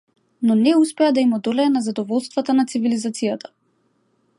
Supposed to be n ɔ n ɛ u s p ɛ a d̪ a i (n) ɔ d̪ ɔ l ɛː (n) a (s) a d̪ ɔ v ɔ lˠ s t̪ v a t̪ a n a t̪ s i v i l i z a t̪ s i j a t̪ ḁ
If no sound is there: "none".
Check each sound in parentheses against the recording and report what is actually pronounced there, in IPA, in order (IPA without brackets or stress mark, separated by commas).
m, n, z